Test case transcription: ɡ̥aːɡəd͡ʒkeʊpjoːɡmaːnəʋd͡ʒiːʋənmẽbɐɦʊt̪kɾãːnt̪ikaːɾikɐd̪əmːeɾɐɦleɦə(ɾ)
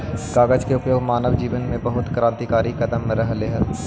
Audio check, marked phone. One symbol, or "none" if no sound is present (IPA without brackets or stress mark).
ɾ